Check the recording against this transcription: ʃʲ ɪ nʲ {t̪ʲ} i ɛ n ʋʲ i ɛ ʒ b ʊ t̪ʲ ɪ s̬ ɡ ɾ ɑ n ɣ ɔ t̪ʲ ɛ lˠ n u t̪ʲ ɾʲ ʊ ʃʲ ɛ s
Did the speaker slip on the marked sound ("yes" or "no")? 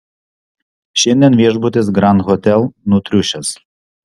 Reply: yes